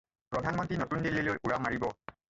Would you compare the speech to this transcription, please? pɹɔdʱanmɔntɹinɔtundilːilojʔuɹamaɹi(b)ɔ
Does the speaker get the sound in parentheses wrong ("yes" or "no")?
no